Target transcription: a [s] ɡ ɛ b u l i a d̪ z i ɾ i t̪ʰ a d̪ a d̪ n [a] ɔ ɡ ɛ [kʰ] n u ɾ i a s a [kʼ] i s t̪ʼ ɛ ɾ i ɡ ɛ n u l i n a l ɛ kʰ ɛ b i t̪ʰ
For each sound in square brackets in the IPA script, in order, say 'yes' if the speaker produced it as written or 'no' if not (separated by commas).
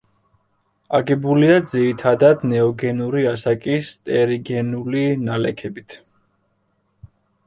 no, no, no, yes